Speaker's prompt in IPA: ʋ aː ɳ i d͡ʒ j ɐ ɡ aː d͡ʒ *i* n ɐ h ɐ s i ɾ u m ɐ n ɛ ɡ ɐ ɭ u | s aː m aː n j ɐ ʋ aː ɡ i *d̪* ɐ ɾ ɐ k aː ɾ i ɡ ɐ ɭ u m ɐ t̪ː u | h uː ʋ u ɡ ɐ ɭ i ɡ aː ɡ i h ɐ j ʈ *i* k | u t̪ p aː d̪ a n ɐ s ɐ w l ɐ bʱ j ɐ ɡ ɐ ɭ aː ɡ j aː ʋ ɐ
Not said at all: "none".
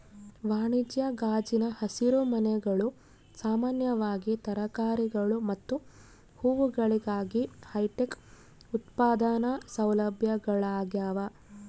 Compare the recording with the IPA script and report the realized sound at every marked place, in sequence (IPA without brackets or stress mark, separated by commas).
i, t̪, e